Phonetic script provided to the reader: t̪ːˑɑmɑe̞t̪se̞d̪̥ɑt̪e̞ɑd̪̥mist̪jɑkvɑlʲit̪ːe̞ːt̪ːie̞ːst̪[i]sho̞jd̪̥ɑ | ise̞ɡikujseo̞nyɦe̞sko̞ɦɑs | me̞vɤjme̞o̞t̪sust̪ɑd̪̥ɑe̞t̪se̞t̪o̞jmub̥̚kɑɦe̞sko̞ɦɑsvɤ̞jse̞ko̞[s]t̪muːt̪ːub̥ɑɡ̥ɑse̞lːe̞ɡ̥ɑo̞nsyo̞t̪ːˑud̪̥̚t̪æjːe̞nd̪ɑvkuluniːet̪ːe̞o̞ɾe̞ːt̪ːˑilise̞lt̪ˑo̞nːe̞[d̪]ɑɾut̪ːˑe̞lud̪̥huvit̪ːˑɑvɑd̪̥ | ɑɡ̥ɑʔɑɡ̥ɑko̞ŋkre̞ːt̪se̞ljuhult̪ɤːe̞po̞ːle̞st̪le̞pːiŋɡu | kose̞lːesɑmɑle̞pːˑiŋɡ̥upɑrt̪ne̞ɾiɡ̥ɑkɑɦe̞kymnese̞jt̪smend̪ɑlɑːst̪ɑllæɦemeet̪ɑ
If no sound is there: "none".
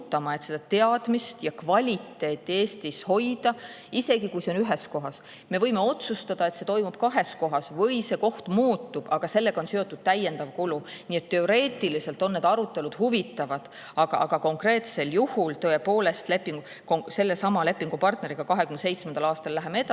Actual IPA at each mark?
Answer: i, h, d̪

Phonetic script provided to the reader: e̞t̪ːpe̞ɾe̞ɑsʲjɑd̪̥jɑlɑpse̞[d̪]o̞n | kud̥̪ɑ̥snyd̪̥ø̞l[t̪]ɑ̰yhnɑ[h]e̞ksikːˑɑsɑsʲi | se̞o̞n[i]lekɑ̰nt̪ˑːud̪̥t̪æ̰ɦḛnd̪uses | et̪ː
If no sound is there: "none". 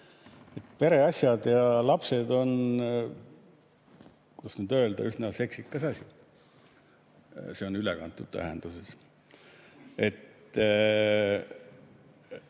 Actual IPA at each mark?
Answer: d̪, d̪, s, y

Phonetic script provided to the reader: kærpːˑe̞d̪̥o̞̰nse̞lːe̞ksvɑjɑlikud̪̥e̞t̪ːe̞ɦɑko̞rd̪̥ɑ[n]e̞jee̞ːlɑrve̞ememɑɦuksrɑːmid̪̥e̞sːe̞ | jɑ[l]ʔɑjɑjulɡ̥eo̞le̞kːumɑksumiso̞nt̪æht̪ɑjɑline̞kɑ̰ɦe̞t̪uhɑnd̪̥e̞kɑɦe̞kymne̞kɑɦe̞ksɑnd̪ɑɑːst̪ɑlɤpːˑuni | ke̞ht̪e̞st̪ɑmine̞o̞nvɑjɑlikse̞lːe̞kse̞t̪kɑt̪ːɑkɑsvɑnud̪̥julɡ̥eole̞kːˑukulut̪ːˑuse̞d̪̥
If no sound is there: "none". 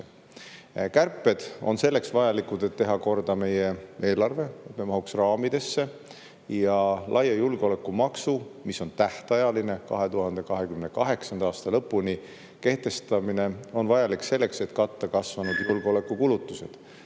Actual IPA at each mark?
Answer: m, l

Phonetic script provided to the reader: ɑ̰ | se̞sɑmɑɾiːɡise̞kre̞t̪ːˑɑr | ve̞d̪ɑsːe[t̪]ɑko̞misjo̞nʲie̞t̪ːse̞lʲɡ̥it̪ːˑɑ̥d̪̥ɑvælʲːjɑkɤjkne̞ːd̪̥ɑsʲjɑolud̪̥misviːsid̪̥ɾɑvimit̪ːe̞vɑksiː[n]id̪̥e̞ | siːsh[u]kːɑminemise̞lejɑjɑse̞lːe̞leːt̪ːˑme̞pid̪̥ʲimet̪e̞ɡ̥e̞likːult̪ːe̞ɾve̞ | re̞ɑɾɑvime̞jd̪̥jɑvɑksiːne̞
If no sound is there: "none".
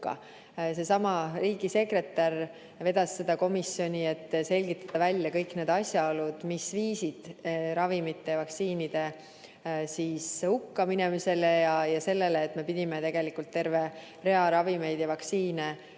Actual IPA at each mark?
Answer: d̪, n, u

